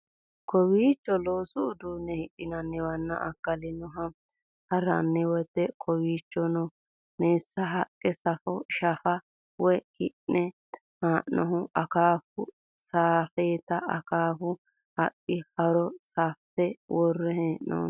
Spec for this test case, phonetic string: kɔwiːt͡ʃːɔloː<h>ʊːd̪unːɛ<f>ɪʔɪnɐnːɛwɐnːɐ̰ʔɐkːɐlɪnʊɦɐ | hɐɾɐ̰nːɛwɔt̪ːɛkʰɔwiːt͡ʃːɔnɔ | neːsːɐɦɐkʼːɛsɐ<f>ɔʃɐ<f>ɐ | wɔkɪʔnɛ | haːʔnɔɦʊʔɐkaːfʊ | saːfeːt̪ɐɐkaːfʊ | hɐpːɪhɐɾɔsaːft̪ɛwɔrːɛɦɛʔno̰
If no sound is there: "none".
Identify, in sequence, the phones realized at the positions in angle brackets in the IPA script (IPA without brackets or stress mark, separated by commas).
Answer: s, h, f, f